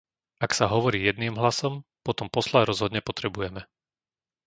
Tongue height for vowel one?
low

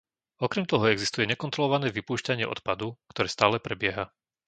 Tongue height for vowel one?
mid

